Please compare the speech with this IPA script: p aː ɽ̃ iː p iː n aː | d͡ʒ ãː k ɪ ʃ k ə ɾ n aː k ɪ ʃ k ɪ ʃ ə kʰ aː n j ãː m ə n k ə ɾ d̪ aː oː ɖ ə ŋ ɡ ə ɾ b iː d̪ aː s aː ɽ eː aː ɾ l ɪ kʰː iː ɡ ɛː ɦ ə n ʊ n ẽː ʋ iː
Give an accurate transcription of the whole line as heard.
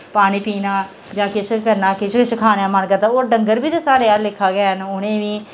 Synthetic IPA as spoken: p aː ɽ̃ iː p iː n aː | d͡ʒ ãː k ɪ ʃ k ə ɾ n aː k ɪ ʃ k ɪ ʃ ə kʰ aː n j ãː m ə n k ə ɾ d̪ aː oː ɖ ə ŋ ɡ ə ɾ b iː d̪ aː s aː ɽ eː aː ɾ l ɪ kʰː aː ɡ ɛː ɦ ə n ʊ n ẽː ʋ iː